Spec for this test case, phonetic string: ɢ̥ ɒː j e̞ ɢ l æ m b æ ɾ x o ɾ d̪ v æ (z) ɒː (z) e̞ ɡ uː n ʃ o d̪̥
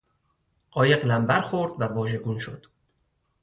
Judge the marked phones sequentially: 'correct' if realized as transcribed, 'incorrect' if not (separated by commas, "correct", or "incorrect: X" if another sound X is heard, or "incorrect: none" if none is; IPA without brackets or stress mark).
incorrect: v, incorrect: ʒ